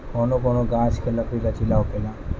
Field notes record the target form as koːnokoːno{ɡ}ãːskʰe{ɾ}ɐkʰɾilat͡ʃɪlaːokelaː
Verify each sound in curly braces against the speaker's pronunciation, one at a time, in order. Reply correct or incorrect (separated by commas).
correct, incorrect